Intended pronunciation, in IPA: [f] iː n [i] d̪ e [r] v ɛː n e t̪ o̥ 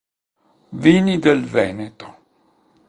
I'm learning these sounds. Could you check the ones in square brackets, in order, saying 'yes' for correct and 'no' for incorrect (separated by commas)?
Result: no, yes, no